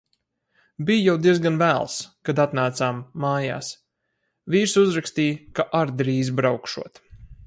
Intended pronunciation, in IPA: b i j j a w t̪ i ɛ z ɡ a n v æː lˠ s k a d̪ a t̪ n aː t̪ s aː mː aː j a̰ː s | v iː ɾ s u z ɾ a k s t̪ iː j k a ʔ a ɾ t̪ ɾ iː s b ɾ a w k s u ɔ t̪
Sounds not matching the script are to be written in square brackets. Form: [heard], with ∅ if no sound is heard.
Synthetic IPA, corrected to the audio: b i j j a w [d̪] i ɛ z ɡ a n v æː lˠ s k a d̪ a t̪ n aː t̪ s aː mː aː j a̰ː s | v iː ɾ s u z ɾ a k s t̪ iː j k a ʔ a ɾ [d̪] ɾ iː [z] b ɾ a w k [ʃ] u ɔ t̪